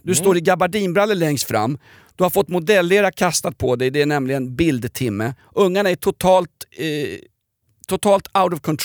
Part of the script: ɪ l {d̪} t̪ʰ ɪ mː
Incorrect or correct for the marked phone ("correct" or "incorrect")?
correct